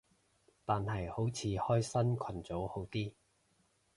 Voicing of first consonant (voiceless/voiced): voiceless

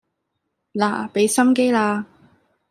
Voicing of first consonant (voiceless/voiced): voiced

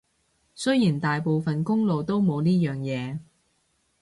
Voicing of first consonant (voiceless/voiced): voiceless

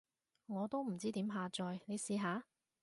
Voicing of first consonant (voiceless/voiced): voiced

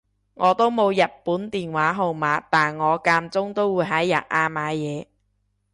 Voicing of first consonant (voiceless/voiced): voiced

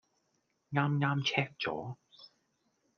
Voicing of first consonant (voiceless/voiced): voiced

